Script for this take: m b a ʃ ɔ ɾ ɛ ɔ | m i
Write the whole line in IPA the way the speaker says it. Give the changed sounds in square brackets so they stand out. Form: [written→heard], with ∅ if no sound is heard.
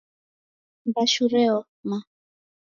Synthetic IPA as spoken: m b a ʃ [ɔ→u] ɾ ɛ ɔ | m [i→a]